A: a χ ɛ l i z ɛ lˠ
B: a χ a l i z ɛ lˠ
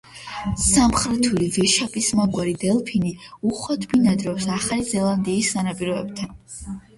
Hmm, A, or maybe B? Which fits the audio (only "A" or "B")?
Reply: B